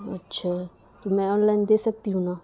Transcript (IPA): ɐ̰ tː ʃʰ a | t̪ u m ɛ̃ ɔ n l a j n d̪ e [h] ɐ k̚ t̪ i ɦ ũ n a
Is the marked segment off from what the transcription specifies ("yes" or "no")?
yes